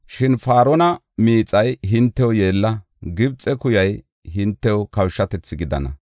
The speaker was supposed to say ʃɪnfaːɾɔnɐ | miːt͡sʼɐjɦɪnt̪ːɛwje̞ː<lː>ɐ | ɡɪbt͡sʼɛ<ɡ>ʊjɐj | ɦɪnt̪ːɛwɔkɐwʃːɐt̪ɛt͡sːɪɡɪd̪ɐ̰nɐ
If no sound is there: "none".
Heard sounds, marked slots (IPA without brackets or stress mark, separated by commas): lː, k